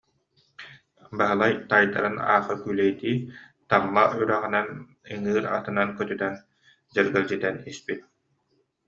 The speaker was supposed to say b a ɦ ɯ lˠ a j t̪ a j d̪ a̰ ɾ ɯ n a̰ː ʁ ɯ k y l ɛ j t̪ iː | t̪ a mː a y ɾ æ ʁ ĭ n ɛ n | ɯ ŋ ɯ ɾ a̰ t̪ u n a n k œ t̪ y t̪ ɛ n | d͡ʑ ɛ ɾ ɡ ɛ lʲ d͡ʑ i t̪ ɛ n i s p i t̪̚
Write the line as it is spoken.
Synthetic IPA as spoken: b a ɦ ɯ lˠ a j t̪ a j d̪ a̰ ɾ ɯ n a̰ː χ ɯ k y l ɛ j t̪ iː | t̪ a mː a y ɾ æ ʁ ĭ n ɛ n | ɯ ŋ ɯː ɾ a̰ t̪ ɯ n a n k œ t̪ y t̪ ɛ n | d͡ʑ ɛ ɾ ɡ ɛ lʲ d͡ʑ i t̪ ɛ n i s p i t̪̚